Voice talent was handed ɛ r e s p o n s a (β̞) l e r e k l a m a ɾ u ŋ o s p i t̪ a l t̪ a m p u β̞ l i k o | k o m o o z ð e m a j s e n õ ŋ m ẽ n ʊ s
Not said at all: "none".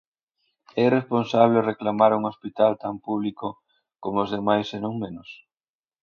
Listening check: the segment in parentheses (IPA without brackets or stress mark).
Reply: β̞